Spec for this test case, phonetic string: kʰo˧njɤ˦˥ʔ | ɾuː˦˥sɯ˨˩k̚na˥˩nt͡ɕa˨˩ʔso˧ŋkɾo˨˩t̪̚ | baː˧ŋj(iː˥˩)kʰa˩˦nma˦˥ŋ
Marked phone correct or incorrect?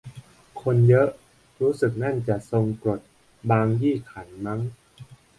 correct